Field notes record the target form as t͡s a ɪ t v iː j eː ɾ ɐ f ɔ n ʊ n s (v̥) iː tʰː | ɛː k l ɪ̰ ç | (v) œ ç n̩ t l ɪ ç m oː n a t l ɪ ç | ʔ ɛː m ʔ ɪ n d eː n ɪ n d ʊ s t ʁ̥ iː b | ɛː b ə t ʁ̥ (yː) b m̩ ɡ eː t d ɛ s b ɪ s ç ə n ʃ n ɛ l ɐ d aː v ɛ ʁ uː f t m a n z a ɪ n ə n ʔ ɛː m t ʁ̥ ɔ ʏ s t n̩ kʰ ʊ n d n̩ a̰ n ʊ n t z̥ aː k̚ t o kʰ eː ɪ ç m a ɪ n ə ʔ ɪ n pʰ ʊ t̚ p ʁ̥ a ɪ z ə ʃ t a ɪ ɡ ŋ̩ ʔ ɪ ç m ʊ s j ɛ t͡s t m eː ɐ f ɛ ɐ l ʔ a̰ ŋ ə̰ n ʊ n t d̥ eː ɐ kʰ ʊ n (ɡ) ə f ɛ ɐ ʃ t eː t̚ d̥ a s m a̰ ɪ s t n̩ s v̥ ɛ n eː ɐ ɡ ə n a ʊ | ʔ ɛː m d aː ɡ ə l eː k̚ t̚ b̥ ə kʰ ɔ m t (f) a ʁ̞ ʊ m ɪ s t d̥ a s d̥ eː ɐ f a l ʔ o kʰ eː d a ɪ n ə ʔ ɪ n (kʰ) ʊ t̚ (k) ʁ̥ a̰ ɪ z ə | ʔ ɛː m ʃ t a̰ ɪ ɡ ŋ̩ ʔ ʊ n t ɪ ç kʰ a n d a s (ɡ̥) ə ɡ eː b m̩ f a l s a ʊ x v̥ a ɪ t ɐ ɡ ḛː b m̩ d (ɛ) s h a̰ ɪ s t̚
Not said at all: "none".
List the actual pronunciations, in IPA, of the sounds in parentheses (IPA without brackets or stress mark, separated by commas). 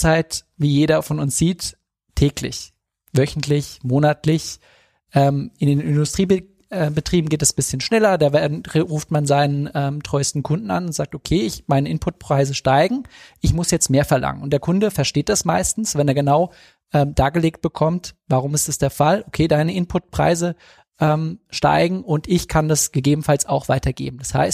z̥, v, iː, d, v, pʰ, p, ɡ̥, a